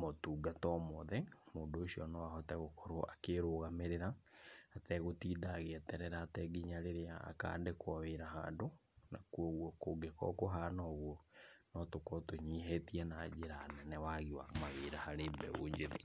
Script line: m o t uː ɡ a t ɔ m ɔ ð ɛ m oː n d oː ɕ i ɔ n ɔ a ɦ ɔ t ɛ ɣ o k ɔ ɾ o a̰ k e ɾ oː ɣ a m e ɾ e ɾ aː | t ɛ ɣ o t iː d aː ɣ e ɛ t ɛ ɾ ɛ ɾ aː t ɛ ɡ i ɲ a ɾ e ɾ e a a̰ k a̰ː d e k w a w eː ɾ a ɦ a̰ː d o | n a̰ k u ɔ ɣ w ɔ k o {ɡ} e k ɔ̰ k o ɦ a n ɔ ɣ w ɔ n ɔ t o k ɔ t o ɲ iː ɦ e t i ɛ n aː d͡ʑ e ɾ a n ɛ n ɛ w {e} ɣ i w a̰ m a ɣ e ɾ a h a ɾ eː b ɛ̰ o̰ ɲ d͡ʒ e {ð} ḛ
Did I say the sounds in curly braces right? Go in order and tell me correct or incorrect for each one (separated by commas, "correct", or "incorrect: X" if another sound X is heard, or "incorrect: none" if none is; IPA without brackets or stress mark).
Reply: correct, incorrect: a, correct